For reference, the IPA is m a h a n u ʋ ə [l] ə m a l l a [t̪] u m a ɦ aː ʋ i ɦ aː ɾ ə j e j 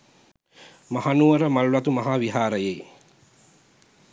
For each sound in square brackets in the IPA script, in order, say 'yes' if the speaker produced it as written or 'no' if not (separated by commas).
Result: no, yes